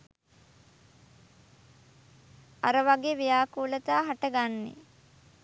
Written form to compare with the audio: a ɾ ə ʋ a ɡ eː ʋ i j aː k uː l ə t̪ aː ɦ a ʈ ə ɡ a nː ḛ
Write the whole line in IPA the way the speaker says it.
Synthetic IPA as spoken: a ɾ ə ʋ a ɡ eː ʋ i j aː k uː l ə t̪ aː ɦ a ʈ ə ɡ a nː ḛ